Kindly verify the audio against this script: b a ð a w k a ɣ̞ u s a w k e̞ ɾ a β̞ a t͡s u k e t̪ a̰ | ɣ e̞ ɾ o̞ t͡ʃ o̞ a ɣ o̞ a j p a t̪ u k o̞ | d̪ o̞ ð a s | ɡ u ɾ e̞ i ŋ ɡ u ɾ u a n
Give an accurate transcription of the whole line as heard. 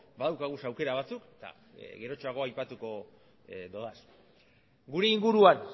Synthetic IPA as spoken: b a ð a w k a ɣ̞ u s a w k e̞ ɾ a β̞ a t͡s u k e t̪ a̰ | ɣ e̞ ɾ o̞ t͡ʃ o̞ a ɣ o̞ a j p a t̪ u k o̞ | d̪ o̞ ð a s | ɡ u ɾ e̞ i ŋ ɡ u ɾ u a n